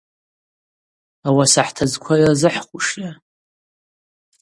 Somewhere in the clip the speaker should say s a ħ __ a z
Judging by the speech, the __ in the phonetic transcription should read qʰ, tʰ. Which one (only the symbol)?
tʰ